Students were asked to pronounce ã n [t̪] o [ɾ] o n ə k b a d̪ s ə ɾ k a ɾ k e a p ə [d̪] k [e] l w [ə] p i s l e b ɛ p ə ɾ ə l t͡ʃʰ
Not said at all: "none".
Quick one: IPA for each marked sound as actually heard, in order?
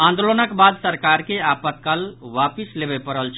d̪, l, t̪, a, a

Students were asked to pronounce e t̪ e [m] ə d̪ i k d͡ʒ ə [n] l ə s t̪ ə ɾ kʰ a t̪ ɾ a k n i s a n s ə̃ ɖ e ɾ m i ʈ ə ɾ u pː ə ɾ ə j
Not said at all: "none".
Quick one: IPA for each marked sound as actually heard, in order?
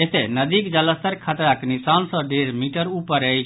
n, none

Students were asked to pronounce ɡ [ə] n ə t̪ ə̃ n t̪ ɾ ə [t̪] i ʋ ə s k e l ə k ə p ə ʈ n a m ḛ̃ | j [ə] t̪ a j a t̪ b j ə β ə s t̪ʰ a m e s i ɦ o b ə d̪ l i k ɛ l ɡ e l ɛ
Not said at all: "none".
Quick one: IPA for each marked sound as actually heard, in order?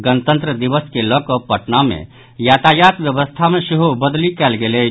ə, d̪, a

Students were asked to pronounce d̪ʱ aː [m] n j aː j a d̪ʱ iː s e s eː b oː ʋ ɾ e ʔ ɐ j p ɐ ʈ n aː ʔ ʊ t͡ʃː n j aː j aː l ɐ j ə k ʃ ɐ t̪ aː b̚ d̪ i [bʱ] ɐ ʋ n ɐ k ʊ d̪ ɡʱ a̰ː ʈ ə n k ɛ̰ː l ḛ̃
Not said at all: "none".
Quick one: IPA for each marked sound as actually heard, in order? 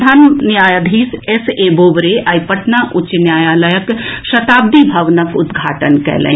n, bʱ

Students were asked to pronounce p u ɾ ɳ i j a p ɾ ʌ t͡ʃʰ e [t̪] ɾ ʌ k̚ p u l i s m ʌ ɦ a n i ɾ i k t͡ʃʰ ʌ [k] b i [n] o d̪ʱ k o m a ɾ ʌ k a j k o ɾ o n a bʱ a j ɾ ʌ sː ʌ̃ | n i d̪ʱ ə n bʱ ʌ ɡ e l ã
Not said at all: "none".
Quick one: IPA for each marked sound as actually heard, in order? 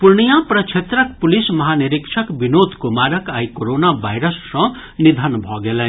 t̪, k, n

